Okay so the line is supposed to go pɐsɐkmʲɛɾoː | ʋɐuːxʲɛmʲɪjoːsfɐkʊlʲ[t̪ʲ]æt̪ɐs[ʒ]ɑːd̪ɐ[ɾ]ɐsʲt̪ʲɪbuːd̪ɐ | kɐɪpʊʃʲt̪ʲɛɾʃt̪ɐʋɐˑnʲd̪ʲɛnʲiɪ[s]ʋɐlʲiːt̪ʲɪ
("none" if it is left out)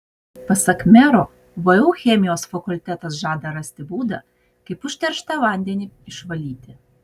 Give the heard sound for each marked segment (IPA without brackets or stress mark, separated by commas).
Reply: t̪ʲ, ʒ, ɾ, ʃ